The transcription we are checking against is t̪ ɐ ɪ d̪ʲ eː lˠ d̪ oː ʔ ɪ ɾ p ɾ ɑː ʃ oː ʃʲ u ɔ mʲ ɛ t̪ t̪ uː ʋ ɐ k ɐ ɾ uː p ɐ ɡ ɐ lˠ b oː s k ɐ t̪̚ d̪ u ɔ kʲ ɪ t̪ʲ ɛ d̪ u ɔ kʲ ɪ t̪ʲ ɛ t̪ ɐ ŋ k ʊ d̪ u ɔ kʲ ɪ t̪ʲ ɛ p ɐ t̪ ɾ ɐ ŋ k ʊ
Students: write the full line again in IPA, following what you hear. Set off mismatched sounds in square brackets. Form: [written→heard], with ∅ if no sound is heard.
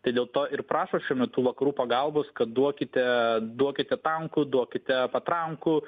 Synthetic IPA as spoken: t̪ ɐ ɪ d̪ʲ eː lˠ [d̪→t̪] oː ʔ ɪ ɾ p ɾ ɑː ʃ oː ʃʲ u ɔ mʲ ɛ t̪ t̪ uː ʋ ɐ k ɐ ɾ uː p ɐ ɡ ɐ lˠ b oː s k ɐ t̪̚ d̪ u ɔ kʲ ɪ t̪ʲ ɛ d̪ u ɔ kʲ ɪ t̪ʲ ɛ t̪ ɐ ŋ k ʊ d̪ u ɔ kʲ ɪ t̪ʲ ɛ p ɐ t̪ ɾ ɐ ŋ k ʊ

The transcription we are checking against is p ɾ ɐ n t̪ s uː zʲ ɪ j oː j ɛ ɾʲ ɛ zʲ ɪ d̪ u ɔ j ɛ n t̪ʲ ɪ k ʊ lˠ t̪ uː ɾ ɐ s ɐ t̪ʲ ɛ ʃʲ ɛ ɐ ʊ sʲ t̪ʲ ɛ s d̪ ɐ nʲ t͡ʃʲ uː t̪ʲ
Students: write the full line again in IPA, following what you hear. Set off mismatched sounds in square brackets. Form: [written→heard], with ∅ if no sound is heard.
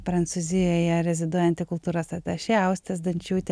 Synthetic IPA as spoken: p ɾ ɐ n t̪ s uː zʲ ɪ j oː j ɛ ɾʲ ɛ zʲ ɪ d̪ u ɔ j ɛ n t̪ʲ ɪ k ʊ lˠ t̪ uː ɾ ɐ s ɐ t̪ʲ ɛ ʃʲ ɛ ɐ ʊ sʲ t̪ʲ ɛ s d̪ ɐ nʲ t͡ʃʲ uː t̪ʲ

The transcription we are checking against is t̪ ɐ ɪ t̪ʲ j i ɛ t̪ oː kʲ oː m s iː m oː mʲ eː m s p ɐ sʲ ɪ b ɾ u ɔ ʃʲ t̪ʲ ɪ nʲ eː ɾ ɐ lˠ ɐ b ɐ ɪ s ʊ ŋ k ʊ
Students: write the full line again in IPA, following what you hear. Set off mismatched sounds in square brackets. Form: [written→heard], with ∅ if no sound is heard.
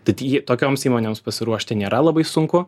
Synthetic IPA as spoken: t̪ ɐ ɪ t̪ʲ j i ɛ t̪ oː kʲ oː m s iː m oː [mʲ→nʲ] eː m s p ɐ sʲ ɪ [b→∅] ɾ u ɔ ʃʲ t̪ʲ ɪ nʲ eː ɾ ɐ lˠ ɐ b ɐ ɪ s ʊ ŋ k ʊ

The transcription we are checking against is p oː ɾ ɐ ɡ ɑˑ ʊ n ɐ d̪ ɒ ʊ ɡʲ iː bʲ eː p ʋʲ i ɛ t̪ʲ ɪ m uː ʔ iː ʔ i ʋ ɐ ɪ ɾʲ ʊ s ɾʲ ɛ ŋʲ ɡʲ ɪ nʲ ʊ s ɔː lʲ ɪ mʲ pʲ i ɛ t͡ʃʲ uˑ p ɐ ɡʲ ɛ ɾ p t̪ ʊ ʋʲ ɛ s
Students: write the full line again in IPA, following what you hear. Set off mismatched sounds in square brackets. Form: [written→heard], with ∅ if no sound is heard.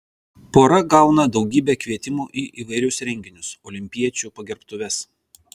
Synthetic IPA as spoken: p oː ɾ ɐ ɡ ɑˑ ʊ n ɐ d̪ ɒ ʊ ɡʲ iː bʲ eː [p→k] ʋʲ i ɛ t̪ʲ ɪ m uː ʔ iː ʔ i ʋ ɐ ɪ ɾʲ ʊ s ɾʲ ɛ ŋʲ ɡʲ ɪ nʲ ʊ s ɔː lʲ ɪ mʲ pʲ i ɛ t͡ʃʲ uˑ p ɐ ɡʲ ɛ ɾ p t̪ ʊ ʋʲ ɛ s

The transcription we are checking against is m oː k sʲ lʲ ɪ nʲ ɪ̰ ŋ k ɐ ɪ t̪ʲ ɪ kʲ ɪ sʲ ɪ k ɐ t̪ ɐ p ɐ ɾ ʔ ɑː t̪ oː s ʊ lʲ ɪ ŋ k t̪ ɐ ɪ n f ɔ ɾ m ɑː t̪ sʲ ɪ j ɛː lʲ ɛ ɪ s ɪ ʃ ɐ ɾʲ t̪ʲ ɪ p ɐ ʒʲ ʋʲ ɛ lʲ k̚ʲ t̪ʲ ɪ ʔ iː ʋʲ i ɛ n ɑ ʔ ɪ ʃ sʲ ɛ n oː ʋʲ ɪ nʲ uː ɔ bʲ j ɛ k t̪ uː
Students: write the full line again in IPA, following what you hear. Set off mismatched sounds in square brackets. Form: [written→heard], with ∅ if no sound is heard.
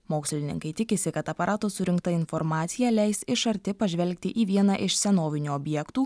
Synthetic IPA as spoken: m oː k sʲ lʲ ɪ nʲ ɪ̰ ŋ k ɐ ɪ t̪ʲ ɪ kʲ ɪ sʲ ɪ k ɐ t̪ ɐ p ɐ ɾ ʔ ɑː t̪ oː s ʊ [lʲ→ɾʲ] ɪ ŋ k t̪ ɐ ɪ n f ɔ ɾ m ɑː t̪ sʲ ɪ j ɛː lʲ ɛ ɪ s ɪ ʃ ɐ ɾʲ t̪ʲ ɪ p ɐ ʒʲ ʋʲ ɛ lʲ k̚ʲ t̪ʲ ɪ ʔ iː ʋʲ i ɛ n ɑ ʔ ɪ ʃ sʲ ɛ n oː ʋʲ ɪ nʲ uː ɔ bʲ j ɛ k t̪ uː

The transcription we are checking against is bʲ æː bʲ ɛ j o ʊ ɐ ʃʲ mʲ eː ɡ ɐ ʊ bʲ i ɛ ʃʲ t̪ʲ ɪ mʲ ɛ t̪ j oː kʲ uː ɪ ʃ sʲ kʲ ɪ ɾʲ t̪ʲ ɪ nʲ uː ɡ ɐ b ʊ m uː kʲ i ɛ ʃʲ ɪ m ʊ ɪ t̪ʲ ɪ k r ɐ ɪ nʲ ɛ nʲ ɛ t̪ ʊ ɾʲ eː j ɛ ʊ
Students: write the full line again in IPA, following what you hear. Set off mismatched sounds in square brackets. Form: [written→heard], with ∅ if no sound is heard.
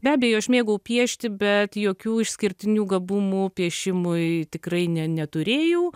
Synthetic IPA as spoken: bʲ æː bʲ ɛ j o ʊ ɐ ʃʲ mʲ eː ɡ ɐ ʊ [bʲ→pʲ] i ɛ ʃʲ t̪ʲ ɪ [mʲ→bʲ] ɛ t̪ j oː kʲ uː ɪ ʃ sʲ kʲ ɪ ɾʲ t̪ʲ ɪ nʲ uː ɡ ɐ b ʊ m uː [kʲ→pʲ] i ɛ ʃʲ ɪ m ʊ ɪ t̪ʲ ɪ k r ɐ ɪ nʲ ɛ nʲ ɛ t̪ ʊ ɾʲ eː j ɛ ʊ

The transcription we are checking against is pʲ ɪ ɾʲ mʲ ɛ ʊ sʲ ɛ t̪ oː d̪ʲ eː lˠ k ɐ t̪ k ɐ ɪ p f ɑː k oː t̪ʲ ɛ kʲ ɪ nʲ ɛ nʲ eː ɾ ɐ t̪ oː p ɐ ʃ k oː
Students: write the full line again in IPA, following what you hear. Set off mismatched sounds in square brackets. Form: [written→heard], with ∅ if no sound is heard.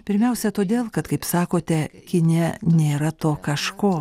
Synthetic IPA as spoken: pʲ ɪ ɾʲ mʲ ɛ ʊ sʲ ɛ t̪ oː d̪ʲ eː lˠ k ɐ t̪ k ɐ ɪ p [f→s] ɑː k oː t̪ʲ ɛ kʲ ɪ nʲ ɛ nʲ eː ɾ ɐ t̪ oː [p→k] ɐ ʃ k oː

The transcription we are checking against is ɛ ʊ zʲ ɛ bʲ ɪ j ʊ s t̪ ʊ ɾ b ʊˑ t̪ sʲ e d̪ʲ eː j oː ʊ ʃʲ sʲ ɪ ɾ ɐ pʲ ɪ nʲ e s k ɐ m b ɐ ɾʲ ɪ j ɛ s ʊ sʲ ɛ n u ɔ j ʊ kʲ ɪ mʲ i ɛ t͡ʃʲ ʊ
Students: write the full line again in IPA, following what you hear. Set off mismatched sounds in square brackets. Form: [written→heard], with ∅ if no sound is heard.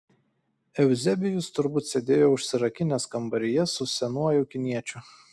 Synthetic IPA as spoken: ɛ ʊ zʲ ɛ bʲ ɪ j ʊ s t̪ ʊ ɾ b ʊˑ t̪ sʲ e d̪ʲ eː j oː ʊ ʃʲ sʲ ɪ ɾ ɐ [pʲ→kʲ] ɪ nʲ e s k ɐ m b ɐ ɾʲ ɪ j ɛ s ʊ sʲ ɛ n u ɔ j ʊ kʲ ɪ [mʲ→nʲ] i ɛ t͡ʃʲ ʊ

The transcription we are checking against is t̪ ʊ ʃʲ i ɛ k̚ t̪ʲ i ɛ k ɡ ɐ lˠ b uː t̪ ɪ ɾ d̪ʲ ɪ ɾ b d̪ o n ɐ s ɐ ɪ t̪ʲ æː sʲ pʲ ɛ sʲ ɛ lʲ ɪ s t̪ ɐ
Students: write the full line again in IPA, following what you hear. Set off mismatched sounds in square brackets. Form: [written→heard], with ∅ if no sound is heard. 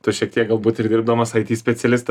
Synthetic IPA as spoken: t̪ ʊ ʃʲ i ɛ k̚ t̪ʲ i ɛ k ɡ ɐ lˠ b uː t̪ ɪ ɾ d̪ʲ ɪ ɾ b d̪ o [n→m] ɐ s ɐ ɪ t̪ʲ [æː→iː] sʲ pʲ ɛ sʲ ɛ lʲ ɪ s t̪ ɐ

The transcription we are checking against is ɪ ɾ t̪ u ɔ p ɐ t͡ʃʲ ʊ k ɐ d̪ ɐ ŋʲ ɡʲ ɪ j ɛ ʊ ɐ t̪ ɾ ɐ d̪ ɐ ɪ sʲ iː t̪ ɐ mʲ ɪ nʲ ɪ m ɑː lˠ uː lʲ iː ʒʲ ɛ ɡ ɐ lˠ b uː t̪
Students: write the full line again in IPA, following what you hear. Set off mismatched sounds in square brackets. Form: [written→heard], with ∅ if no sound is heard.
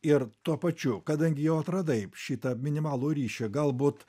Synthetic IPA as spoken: ɪ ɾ t̪ u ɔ p ɐ t͡ʃʲ ʊ k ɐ d̪ ɐ ŋʲ ɡʲ ɪ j ɛ ʊ ɐ t̪ ɾ ɐ d̪ ɐ ɪ [sʲ→ʃʲ] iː t̪ ɐ mʲ ɪ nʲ ɪ m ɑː lˠ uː [lʲ→ɾʲ] iː [ʒʲ→ʃʲ] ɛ ɡ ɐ lˠ b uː t̪

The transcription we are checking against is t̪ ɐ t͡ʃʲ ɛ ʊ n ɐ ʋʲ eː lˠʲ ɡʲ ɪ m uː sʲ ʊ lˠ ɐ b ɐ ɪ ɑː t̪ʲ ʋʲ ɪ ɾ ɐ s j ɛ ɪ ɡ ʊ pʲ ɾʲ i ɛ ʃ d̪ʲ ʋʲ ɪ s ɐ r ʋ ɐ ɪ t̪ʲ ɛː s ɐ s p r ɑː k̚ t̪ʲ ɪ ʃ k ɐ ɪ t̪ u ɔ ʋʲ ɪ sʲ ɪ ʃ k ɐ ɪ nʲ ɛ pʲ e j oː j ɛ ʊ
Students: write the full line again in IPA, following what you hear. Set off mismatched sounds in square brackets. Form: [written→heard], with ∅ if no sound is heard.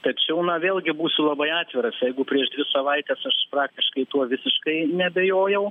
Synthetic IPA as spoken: t̪ ɐ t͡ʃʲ ɛ ʊ n ɐ ʋʲ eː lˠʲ ɡʲ ɪ [m→b] uː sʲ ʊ lˠ ɐ b ɐ ɪ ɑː t̪ʲ ʋʲ ɪ ɾ ɐ s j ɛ ɪ ɡ ʊ pʲ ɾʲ i ɛ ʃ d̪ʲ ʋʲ ɪ s ɐ [r→∅] ʋ ɐ ɪ t̪ʲ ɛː s ɐ [s→ʃ] p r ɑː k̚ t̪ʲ ɪ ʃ k ɐ ɪ t̪ u ɔ ʋʲ ɪ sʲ ɪ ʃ k ɐ ɪ nʲ ɛ [pʲ→bʲ] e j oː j ɛ ʊ

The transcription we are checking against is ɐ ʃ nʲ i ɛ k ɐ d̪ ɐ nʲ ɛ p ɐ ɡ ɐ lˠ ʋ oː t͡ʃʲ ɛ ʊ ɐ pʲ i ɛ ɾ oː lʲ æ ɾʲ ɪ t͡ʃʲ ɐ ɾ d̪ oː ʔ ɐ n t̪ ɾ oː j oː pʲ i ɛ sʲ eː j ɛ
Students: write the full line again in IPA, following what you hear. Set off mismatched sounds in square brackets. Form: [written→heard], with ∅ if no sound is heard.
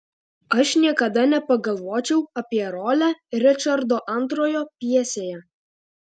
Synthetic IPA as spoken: ɐ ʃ nʲ i ɛ k ɐ d̪ ɐ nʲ ɛ p ɐ ɡ ɐ lˠ ʋ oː t͡ʃʲ ɛ ʊ ɐ pʲ i ɛ ɾ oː lʲ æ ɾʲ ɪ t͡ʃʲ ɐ ɾ d̪ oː ʔ ɐ n t̪ ɾ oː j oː pʲ i ɛ sʲ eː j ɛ

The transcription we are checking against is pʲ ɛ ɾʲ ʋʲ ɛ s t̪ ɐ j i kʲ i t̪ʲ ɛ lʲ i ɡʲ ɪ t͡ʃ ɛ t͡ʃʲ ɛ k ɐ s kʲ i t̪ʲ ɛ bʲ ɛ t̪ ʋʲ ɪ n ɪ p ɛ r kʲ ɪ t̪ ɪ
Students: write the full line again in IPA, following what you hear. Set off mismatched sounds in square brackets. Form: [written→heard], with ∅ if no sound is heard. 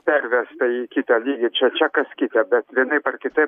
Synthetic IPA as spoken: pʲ ɛ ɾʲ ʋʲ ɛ s t̪ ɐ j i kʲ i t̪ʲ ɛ lʲ i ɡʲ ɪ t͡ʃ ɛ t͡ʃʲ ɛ k ɐ s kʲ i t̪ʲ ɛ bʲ ɛ t̪ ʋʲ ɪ n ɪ p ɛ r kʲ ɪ t̪ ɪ

